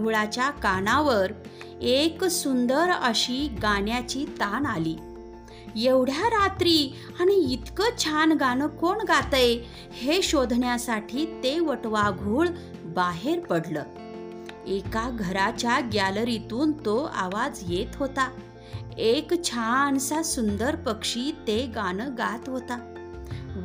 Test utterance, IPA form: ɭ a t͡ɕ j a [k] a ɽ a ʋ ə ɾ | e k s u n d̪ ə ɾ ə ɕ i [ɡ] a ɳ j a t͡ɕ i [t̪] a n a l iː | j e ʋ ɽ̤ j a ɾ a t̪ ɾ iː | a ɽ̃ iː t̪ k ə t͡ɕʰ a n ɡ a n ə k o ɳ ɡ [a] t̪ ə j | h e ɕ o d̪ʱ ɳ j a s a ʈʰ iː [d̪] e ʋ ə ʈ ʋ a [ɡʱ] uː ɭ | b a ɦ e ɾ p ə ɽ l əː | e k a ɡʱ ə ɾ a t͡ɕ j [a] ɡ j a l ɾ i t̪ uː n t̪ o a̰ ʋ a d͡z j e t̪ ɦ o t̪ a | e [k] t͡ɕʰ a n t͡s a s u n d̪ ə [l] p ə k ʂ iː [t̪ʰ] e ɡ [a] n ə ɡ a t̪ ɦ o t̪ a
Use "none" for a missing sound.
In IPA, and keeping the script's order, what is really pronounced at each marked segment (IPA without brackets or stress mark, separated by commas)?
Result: k, ɡ, t̪, a, t̪, ɡʱ, a, k, ɾ, t̪, a